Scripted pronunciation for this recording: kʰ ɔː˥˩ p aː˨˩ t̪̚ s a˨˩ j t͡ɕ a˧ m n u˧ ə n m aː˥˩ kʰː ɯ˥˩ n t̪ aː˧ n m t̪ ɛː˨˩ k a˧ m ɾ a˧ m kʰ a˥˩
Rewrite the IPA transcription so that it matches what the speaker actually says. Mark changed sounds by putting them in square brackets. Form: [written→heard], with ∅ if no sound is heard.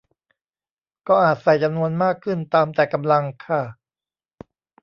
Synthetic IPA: [kʰ→k] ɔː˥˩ [p→ʔ] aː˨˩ t̪̚ s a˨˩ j t͡ɕ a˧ m n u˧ ə n m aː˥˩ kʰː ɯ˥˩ n t̪ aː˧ [n→∅] m t̪ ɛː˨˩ k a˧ m [ɾ→l] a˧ [m→ŋ] kʰ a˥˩

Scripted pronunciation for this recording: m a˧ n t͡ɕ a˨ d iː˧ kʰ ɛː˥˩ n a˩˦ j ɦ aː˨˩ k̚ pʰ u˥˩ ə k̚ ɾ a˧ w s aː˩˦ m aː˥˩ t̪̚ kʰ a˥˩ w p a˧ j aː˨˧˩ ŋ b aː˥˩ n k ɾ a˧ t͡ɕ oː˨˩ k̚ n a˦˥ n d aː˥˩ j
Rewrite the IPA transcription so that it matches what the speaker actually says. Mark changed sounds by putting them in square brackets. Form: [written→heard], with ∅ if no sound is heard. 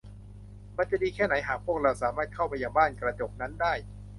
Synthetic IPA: m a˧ n t͡ɕ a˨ d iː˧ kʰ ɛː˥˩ n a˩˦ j ɦ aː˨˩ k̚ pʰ u˥˩ ə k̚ ɾ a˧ w s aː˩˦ m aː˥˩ t̪̚ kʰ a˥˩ w p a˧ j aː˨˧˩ ŋ b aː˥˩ n k ɾ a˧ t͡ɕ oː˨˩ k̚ n a˦˥ n d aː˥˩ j

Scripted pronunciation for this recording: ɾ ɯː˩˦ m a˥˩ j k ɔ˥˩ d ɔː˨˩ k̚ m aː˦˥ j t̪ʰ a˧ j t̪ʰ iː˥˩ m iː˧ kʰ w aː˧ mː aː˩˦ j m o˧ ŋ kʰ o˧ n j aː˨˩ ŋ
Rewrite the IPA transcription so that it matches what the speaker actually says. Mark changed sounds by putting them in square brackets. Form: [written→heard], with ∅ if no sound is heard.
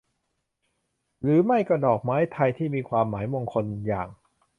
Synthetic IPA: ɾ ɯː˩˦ m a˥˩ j k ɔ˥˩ d ɔː˨˩ k̚ m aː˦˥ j t̪ʰ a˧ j t̪ʰ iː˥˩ m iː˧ kʰ w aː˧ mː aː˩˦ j m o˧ ŋ kʰ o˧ n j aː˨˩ ŋ

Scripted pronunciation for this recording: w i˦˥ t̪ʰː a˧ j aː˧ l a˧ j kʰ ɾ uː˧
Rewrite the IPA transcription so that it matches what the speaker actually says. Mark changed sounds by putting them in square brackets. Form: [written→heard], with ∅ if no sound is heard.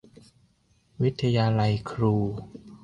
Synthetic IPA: w i˦˥ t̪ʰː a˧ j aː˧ l a˧ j kʰ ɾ uː˧

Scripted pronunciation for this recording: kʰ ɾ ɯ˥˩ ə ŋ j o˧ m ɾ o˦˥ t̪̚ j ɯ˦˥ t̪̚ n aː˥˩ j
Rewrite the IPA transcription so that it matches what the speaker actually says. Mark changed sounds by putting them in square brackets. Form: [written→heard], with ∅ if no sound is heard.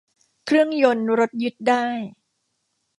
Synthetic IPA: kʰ ɾ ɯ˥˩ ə ŋ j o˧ [m→n] ɾ o˦˥ t̪̚ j ɯ˦˥ t̪̚ [n→d] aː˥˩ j

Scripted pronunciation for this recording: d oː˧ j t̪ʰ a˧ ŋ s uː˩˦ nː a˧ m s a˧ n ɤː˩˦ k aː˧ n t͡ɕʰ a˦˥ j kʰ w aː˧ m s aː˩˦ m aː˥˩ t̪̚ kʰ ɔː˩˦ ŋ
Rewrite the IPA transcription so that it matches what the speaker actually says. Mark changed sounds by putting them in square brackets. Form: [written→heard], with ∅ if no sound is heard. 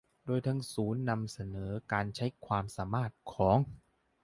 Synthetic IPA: d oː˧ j t̪ʰ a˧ ŋ s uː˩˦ nː a˧ m s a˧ n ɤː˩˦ k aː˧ n t͡ɕʰ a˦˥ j kʰ w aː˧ m s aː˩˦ m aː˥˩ t̪̚ kʰ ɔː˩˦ ŋ

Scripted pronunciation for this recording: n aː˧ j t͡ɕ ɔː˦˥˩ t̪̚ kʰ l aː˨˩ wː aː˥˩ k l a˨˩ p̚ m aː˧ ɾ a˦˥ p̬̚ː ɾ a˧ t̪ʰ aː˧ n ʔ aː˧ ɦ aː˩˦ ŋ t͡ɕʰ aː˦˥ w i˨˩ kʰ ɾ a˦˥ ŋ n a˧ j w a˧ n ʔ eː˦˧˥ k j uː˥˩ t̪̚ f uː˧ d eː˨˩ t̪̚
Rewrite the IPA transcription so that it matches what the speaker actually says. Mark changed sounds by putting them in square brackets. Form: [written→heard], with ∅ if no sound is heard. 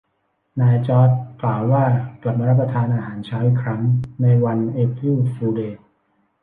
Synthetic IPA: n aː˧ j t͡ɕ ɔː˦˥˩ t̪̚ [kʰ→k] l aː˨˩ wː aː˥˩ k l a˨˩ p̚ m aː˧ ɾ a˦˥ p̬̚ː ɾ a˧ t̪ʰ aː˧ n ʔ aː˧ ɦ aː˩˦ [ŋ→n] t͡ɕʰ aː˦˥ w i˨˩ kʰ ɾ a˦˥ ŋ n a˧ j w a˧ n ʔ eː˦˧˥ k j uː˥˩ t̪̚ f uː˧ d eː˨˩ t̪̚

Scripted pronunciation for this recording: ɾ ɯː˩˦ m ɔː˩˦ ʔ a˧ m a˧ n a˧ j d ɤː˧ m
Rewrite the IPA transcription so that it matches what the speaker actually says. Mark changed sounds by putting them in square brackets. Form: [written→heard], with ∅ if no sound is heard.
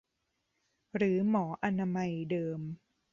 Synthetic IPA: ɾ ɯː˩˦ m ɔː˩˦ ʔ a˧ [m→n] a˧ [n→m] a˧ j d ɤː˧ m

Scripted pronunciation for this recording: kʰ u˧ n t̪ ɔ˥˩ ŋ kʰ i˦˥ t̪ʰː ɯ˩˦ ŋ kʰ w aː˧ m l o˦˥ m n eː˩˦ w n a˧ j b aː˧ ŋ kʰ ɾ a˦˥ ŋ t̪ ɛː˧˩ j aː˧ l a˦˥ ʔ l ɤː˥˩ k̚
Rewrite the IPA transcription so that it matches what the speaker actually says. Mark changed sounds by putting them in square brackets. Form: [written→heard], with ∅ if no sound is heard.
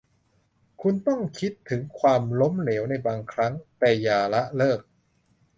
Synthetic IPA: kʰ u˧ n t̪ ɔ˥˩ ŋ kʰ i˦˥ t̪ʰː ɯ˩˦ ŋ kʰ w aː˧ m l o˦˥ m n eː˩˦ w n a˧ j b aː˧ ŋ kʰ ɾ a˦˥ ŋ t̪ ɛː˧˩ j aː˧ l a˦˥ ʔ l ɤː˥˩ k̚

